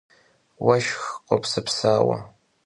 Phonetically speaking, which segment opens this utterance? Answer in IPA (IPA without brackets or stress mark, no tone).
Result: w